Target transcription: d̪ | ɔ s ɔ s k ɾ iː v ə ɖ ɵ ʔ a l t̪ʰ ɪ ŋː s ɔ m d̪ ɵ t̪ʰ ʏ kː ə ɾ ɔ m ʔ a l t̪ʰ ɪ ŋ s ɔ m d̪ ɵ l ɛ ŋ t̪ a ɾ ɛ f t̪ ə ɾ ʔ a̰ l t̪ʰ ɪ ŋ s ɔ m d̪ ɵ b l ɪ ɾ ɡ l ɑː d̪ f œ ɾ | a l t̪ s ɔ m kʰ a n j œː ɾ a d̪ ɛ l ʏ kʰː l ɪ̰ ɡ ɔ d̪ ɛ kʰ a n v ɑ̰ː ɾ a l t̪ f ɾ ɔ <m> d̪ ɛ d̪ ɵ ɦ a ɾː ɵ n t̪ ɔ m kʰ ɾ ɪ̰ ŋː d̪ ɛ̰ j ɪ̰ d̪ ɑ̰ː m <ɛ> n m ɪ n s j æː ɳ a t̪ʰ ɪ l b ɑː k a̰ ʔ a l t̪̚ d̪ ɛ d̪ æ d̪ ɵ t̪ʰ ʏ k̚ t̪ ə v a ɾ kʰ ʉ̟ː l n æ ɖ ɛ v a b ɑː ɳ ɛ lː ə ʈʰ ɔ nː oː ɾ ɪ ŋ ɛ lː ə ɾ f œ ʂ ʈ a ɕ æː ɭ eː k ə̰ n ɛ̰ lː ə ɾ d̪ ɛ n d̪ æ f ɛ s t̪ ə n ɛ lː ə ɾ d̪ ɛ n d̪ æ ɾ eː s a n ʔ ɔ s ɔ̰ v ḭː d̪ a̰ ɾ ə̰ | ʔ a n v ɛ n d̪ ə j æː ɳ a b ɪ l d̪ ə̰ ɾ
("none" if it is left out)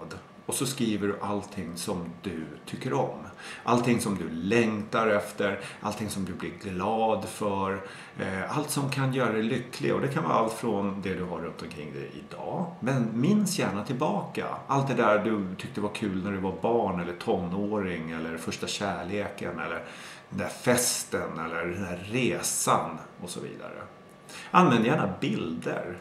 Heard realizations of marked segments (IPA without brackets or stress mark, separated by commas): n, ɛ